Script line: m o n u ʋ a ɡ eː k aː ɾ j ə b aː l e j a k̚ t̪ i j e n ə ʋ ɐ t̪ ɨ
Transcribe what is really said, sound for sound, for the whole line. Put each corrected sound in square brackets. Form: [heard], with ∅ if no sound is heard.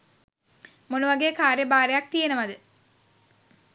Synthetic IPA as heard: m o n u ʋ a ɡ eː k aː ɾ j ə b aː [ɾ] e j a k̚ t̪ i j e n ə ʋ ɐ [d̪] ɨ